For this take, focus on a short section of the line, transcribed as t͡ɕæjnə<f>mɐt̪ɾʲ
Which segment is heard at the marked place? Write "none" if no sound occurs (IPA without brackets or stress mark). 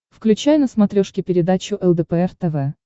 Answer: s